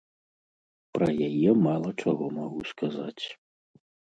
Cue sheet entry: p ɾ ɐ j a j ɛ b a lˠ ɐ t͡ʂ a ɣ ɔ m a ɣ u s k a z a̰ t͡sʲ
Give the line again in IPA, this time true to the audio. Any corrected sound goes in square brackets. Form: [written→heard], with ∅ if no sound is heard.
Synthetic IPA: p ɾ ɐ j a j ɛ [b→m] a lˠ ɐ t͡ʂ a ɣ ɔ m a ɣ u s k a z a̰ t͡sʲ